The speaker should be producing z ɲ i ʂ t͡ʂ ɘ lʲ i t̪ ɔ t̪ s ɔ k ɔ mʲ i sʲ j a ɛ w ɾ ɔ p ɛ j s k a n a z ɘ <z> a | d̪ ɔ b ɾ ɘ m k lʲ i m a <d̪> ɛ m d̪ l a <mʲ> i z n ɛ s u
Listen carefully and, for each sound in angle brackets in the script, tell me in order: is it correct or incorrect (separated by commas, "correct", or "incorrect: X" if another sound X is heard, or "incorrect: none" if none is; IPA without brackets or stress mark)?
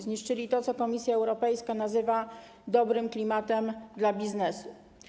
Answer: incorrect: v, incorrect: t̪, incorrect: bʲ